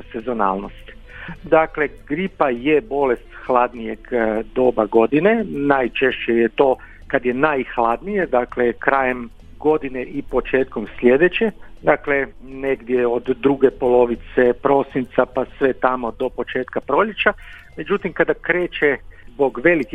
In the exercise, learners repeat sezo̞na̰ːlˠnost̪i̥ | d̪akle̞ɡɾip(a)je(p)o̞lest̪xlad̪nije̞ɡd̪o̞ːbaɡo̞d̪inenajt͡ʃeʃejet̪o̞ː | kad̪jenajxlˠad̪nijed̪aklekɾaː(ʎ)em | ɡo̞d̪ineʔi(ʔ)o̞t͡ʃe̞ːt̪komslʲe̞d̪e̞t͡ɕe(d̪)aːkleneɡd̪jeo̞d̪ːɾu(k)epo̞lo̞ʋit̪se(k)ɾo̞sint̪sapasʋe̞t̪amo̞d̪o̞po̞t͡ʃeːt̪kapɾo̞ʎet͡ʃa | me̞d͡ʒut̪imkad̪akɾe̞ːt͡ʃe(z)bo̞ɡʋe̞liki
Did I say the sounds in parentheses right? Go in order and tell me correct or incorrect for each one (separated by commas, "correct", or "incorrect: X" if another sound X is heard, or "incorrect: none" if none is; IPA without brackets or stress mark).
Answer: correct, incorrect: b, incorrect: j, incorrect: p, correct, incorrect: ɡ, incorrect: p, correct